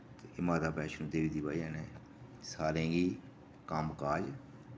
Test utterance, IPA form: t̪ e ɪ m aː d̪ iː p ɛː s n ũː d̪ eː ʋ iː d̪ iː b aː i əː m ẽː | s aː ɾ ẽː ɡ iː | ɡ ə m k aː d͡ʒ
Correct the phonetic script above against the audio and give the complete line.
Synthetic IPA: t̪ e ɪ m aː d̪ aː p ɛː ʃ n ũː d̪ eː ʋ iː d̪ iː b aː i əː n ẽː | s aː ɾ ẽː ɡ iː | k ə m k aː d͡ʒ